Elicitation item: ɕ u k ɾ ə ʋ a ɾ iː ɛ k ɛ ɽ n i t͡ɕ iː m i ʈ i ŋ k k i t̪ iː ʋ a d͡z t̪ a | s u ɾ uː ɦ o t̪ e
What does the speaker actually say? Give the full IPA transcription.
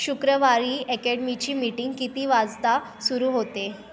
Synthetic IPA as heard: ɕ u k ɾ ə ʋ a ɾ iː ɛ k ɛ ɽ m i t͡ɕ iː m i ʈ i ŋ ɡ k i t̪ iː ʋ a d͡z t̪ a | s u ɾ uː ɦ o t̪ e